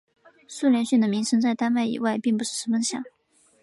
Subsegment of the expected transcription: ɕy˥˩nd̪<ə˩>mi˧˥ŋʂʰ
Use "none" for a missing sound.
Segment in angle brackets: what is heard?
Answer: ə˩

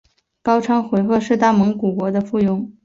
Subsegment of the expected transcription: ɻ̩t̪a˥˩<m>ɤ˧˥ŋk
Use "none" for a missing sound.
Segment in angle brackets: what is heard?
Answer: m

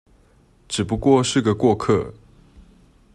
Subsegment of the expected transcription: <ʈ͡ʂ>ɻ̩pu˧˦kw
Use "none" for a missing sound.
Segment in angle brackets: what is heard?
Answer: ʈ͡ʂ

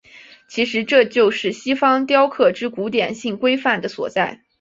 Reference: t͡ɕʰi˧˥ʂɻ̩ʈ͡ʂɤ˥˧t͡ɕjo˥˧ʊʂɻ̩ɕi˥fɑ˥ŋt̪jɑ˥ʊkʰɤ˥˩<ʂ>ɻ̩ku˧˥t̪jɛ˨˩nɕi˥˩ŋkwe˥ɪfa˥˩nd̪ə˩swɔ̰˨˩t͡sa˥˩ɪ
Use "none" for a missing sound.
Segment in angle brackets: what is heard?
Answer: ʈ͡ʂ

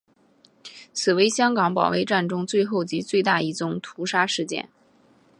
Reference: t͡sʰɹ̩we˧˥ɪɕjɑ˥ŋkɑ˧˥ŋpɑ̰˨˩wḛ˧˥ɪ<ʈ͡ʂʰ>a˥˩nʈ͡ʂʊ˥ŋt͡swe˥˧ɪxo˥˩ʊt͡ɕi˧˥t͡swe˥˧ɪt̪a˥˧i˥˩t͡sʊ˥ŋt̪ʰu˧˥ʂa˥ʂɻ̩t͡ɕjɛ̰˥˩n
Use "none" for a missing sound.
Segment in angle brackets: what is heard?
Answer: ʈ͡ʂ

